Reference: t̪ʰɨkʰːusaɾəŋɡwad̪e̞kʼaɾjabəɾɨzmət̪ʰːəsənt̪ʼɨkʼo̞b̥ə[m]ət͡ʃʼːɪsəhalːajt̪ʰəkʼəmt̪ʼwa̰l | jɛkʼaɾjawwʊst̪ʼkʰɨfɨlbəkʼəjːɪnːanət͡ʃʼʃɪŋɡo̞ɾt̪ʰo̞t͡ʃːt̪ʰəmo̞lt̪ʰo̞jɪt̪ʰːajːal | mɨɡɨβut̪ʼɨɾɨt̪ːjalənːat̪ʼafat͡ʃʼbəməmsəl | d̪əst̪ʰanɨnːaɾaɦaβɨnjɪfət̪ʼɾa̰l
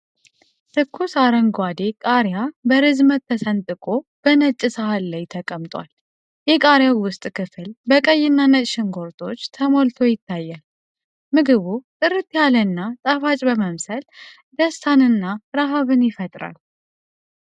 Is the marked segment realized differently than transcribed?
yes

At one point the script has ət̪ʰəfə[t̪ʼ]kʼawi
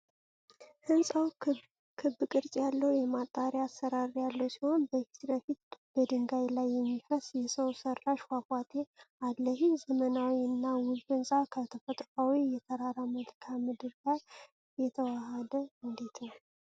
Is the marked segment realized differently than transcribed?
no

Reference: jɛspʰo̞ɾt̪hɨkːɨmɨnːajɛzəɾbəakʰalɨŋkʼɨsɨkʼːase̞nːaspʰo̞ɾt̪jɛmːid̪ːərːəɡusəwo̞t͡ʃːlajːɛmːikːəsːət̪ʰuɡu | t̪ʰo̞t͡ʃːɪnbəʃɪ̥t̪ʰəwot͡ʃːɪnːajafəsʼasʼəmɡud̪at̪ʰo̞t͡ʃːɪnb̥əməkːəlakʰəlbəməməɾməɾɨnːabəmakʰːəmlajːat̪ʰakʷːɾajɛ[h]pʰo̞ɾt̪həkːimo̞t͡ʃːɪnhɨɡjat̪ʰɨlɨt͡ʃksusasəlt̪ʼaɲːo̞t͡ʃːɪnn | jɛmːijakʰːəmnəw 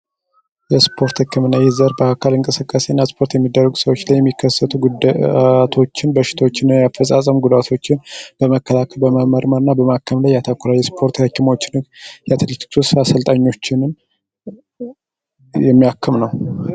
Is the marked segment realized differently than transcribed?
yes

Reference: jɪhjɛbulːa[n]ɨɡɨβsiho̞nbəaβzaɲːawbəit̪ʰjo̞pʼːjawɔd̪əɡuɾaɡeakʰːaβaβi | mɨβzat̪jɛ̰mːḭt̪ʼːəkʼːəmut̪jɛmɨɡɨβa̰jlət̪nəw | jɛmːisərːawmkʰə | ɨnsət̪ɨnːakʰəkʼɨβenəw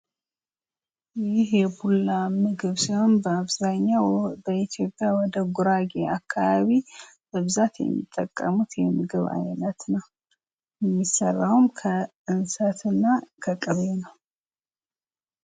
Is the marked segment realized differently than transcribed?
yes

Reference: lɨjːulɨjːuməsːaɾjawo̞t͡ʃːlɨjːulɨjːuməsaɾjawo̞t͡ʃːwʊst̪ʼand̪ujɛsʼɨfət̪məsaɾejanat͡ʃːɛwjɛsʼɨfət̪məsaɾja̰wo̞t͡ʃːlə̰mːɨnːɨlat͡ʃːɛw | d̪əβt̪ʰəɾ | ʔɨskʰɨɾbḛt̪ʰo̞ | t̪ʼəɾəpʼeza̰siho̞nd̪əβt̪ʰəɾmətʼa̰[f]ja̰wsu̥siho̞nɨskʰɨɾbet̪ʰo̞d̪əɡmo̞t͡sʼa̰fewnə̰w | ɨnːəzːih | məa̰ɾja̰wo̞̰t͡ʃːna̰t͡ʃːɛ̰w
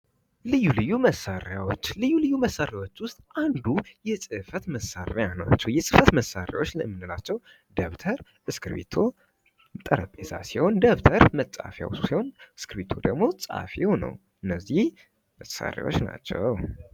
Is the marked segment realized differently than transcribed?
no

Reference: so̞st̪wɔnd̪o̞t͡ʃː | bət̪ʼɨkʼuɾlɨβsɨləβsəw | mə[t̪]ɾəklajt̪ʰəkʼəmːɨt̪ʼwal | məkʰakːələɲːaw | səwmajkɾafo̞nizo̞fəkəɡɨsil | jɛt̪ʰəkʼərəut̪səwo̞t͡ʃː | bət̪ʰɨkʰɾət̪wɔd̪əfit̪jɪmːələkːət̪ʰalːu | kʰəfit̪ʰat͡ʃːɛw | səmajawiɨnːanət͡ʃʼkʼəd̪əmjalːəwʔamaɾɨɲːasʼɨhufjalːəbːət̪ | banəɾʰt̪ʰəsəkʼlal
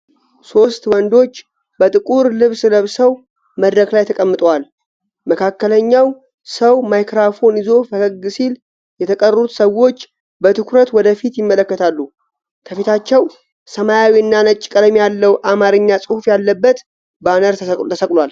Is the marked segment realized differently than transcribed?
yes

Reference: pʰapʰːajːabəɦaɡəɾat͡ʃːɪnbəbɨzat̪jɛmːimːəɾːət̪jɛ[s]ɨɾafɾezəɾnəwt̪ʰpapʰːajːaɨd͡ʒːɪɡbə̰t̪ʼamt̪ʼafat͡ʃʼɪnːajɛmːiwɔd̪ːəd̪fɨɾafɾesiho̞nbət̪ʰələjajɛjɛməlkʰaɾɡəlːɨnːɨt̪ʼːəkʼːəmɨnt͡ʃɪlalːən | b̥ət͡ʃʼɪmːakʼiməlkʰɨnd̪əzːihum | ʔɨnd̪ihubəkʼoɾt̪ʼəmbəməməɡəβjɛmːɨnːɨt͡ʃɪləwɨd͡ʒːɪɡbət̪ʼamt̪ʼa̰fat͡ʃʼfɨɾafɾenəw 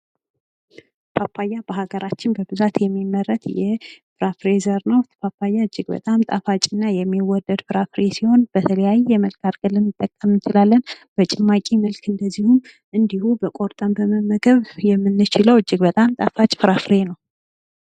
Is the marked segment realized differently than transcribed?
yes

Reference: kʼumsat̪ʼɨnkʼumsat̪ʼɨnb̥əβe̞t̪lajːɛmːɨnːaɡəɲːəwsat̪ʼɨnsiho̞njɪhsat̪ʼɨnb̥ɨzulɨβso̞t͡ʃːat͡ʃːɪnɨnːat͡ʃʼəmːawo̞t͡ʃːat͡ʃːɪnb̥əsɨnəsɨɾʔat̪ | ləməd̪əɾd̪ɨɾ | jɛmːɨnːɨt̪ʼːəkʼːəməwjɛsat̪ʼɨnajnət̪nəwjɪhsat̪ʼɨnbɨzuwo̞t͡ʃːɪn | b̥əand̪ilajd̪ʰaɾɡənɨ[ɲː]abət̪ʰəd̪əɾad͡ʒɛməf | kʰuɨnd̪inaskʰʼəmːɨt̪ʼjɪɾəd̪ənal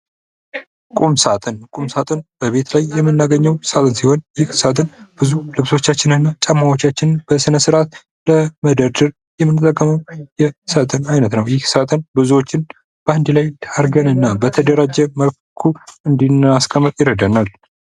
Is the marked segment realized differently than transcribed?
yes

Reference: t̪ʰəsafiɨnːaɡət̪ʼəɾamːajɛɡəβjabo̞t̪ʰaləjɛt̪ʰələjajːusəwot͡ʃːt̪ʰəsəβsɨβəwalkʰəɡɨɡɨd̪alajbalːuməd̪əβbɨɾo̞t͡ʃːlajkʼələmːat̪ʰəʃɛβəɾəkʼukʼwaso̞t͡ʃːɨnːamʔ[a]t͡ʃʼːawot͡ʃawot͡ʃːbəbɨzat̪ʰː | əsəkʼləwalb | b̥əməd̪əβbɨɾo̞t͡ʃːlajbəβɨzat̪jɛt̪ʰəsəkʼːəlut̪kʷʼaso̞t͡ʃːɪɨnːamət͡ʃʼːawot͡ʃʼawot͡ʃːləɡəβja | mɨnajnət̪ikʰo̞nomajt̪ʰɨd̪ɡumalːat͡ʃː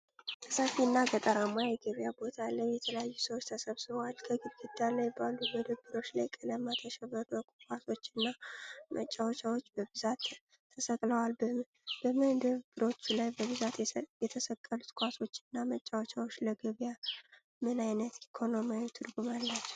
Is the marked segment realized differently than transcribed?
yes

